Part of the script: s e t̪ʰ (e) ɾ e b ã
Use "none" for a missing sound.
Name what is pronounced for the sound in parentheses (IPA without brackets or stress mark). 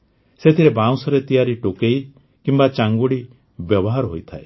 i